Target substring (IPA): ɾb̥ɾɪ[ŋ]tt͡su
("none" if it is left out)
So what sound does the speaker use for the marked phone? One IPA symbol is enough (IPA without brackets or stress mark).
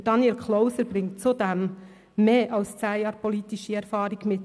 ŋ